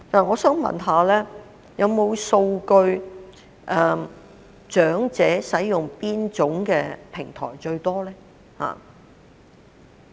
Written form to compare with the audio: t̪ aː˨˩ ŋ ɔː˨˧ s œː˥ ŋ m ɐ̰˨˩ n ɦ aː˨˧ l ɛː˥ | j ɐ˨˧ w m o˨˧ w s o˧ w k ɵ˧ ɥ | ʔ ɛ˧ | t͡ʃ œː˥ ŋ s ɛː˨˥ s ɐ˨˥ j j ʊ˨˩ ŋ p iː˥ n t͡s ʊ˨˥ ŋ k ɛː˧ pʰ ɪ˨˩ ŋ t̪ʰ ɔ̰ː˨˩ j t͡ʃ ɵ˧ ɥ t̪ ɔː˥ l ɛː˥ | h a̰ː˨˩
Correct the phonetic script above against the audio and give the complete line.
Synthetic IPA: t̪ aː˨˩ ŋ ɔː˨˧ s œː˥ ŋ m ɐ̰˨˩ n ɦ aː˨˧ l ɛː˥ | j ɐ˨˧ w m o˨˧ w s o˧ w k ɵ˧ ɥ | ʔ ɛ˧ | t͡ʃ œː˨˥ ŋ t͡s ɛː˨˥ s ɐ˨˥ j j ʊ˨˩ ŋ p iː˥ n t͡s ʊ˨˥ ŋ k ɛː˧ pʰ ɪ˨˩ ŋ t̪ʰ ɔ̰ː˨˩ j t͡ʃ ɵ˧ ɥ t̪ ɔː˥ l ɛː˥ | h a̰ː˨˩

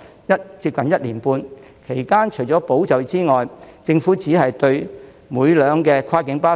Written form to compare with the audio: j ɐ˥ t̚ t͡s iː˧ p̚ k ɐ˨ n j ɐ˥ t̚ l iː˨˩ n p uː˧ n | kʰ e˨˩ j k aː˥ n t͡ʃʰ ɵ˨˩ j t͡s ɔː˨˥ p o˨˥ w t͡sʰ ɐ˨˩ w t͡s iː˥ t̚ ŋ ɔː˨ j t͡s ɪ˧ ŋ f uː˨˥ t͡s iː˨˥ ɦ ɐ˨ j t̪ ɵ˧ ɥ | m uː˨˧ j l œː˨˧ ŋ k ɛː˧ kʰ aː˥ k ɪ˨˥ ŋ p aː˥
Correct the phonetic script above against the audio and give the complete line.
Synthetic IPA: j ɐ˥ t̚ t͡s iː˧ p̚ k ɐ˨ n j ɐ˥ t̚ l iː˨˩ n p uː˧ n | kʰ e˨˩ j k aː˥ n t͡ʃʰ ɵ˨˩ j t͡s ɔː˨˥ p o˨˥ w t͡s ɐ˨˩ w t͡s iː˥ ŋ ɔː˨ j t͡s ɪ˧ ŋ f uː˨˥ t͡s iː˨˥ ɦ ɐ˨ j t̪ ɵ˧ ɥ | m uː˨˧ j l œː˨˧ ŋ k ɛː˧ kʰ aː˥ k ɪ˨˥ ŋ p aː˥

